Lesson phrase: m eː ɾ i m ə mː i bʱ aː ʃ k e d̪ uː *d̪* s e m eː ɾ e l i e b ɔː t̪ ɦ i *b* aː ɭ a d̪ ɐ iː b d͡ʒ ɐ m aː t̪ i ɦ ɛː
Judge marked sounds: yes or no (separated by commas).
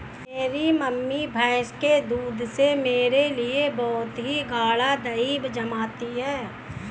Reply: yes, no